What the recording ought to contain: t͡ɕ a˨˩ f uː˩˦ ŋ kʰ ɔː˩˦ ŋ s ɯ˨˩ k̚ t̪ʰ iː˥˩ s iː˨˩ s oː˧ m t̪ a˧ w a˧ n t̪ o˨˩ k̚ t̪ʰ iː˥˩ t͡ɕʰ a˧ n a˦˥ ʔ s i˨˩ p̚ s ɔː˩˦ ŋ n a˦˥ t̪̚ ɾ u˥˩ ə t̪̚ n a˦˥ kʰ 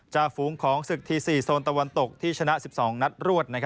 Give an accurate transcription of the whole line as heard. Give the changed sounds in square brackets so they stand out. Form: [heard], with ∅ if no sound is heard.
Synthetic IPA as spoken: t͡ɕ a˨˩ f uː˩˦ ŋ kʰ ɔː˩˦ ŋ s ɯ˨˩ k̚ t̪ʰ [iː˧] s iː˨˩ s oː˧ [n] t̪ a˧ w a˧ n t̪ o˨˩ k̚ t̪ʰ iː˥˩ t͡ɕʰ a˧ n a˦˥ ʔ s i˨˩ p̚ s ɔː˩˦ ŋ n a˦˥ t̪̚ ɾ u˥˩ ə t̪̚ n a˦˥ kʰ